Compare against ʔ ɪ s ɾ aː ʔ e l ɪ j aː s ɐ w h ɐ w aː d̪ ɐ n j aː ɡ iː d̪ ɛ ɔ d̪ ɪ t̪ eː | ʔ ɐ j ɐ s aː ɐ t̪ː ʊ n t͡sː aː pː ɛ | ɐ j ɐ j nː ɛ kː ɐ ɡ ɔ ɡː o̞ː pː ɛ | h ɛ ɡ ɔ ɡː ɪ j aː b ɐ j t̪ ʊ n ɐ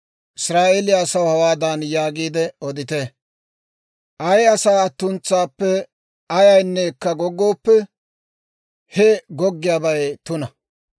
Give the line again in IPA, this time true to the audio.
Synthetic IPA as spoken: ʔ ɪ s ɾ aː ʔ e l ɪ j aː s ɐ w h ɐ w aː d̪ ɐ n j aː ɡ iː d̪ ɛ ɔ d̪ ɪ t̪ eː | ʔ ɐ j ɐ s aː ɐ t̪ː ʊ n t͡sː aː pː ɛ | ɐ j ɐ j nː ɛ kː ɐ ɡ ɔ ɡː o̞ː pː ɛ | h ɛ ɡ ɔ ɡː ɪ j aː b ɐ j t̪ ʊ n ɐ